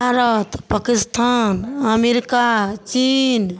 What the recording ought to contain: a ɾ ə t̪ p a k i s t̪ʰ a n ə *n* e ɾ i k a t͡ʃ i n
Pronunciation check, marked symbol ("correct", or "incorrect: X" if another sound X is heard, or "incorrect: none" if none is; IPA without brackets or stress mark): incorrect: m